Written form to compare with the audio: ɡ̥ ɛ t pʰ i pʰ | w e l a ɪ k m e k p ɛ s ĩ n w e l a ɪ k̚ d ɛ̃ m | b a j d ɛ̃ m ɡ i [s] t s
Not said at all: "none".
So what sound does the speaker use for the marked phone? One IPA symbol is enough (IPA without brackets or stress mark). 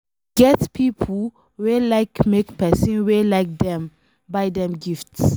f